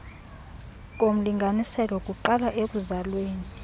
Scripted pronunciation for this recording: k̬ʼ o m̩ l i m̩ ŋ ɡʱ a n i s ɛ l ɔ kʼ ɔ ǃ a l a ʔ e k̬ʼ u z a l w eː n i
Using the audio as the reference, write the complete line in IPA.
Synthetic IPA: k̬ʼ o m̩ l i ŋ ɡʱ a n i s ɛ l ɔ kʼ u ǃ a l a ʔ e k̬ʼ u z a l w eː n i

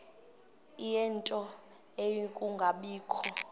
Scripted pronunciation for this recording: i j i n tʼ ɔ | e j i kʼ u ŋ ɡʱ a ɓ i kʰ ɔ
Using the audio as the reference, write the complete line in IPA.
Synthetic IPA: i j ɛ n tʼ ɔ | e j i kʼ u ŋ ɡʱ a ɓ iː kʰ ɔ

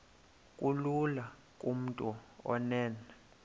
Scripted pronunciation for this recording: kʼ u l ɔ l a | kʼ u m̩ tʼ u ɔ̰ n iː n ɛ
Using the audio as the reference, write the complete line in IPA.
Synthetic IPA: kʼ u l u l a | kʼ u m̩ tʼ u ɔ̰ n ɛː n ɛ

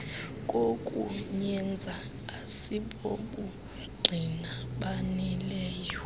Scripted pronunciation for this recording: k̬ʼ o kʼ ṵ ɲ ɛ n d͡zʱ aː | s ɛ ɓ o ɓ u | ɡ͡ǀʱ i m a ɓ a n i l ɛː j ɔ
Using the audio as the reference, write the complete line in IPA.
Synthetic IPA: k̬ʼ o kʼ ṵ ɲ ɛ n d͡zʱ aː | s i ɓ o ɓ u | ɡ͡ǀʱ i n a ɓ a n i l ɛː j ɔ

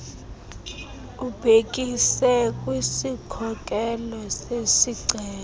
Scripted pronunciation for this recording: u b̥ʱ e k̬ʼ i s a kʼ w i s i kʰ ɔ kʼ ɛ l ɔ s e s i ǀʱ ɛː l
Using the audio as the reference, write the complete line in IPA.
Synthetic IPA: u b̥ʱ e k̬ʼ i s ɛ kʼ w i s i kʰ ɔ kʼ ɛ l ɔ s e s i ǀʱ ɛː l

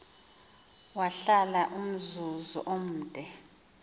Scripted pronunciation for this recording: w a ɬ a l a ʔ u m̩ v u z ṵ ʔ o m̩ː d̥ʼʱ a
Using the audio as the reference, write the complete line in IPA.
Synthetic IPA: w a ɬ a l a ʔ u m̩ z u z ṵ ʔ o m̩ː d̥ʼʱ ɛ

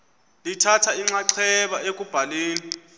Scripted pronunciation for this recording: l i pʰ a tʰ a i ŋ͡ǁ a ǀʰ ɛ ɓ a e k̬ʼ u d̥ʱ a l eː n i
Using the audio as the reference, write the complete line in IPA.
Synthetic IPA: l i tʰ a tʰ a i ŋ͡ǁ a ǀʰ ɛ ɓ a e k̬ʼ u b̥ʱ a l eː n i

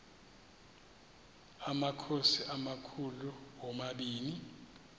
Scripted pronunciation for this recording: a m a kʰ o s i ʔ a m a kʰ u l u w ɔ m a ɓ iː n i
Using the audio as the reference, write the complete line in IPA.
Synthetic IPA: a m a kʰ o s i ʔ a m a kʰ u l u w ɔ m a ɓ iː n i

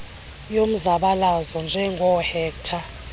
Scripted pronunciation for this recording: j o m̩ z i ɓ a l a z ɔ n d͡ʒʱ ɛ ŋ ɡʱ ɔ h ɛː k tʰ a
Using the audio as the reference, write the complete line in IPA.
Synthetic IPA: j o m̩ z a ɓ a l a z ɔ n d͡ʒʱ ɛ ŋ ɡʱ ɔ h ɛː k tʰ a

